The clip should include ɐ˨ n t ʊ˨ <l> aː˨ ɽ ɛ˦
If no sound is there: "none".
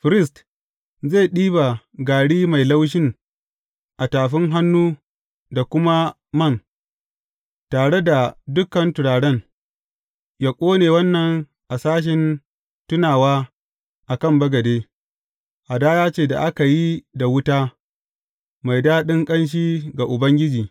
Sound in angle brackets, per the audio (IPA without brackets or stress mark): ɽ